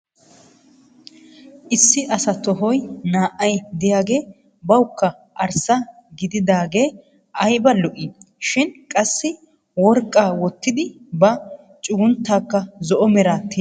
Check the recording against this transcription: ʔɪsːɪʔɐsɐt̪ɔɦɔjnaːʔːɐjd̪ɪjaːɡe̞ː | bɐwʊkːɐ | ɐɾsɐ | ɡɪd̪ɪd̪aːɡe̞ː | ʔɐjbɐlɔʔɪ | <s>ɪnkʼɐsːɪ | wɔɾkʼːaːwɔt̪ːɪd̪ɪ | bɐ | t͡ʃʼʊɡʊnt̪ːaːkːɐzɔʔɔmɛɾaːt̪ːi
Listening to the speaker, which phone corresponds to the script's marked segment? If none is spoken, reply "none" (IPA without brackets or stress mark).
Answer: ʃ